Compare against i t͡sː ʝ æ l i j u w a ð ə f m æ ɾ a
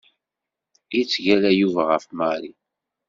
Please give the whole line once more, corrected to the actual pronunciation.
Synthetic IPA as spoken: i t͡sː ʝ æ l æ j u v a ʁ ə f m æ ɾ i